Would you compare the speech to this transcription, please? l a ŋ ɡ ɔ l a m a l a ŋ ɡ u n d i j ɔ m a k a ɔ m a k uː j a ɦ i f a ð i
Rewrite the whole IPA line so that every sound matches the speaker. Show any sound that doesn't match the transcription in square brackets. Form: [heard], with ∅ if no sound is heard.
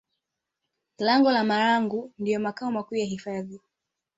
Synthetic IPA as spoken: l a ŋ ɡ ɔ l a m a [ɾ] a ŋ ɡ u n d i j ɔ m a k a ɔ m a k uː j a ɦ i f a ð i